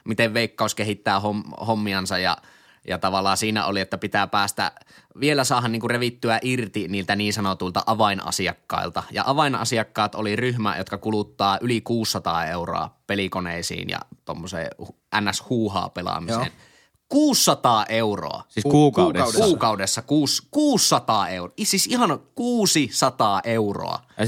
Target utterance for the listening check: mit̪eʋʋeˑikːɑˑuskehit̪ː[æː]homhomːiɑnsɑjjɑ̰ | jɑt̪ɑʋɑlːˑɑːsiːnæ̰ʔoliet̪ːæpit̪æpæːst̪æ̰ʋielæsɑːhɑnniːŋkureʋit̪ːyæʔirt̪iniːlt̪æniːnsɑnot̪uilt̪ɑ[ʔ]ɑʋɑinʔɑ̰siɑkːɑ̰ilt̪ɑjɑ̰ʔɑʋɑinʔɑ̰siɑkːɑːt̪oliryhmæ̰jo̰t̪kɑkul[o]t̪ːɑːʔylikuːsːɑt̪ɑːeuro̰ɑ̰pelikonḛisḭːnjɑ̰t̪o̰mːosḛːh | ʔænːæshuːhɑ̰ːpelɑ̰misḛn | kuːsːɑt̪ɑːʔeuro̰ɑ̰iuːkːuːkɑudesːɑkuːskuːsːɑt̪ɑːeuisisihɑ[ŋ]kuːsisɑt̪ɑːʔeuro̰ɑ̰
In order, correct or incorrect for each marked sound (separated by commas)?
correct, correct, incorrect, incorrect